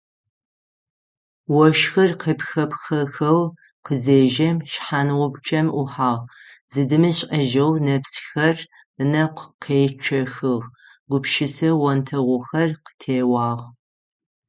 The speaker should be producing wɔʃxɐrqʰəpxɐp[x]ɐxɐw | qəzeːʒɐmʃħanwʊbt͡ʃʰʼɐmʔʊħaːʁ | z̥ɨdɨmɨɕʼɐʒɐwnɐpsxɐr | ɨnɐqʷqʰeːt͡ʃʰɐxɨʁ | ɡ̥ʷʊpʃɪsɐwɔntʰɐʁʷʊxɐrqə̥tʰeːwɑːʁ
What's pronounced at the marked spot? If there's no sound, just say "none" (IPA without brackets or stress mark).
x